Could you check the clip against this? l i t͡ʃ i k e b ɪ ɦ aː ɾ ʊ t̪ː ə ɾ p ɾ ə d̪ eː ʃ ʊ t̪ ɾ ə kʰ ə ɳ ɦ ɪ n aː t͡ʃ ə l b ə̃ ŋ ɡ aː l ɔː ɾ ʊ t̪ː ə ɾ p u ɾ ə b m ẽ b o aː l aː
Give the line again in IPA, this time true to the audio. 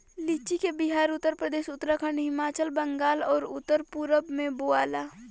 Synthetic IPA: l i t͡ʃ i k e b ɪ ɦ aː ɾ ʊ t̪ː ə ɾ p ɾ ə d̪ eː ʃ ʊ t̪ ɾ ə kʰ ə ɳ ɦ ɪ m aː t͡ʃ ə l b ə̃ ŋ ɡ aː l ɔː ɾ ʊ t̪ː ə ɾ p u ɾ ə b m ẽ b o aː l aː